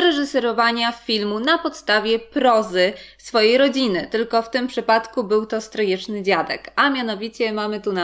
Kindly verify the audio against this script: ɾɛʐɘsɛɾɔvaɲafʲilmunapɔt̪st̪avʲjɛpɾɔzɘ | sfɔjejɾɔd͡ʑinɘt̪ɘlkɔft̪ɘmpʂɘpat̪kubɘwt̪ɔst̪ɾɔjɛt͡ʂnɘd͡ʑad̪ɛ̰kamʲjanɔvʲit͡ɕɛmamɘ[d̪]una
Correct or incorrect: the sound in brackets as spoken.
incorrect: t̪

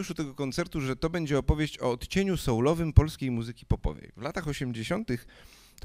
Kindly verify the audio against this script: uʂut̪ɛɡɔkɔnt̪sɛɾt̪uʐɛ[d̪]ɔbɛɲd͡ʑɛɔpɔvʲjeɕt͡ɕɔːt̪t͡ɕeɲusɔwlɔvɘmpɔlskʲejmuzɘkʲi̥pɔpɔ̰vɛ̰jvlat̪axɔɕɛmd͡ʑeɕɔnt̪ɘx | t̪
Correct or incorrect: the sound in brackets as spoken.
incorrect: t̪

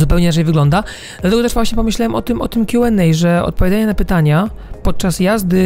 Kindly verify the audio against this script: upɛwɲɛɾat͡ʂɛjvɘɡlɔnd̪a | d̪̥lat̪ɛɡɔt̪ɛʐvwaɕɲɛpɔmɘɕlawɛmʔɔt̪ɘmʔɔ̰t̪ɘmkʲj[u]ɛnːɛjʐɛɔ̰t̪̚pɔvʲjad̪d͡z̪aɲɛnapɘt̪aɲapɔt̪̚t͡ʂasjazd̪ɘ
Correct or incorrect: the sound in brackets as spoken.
correct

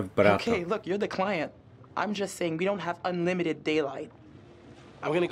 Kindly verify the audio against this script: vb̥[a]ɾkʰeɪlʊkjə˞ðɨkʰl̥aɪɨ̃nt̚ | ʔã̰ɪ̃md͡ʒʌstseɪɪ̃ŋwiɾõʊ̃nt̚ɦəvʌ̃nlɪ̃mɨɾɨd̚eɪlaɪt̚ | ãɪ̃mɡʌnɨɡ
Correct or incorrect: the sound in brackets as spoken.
incorrect: ʌ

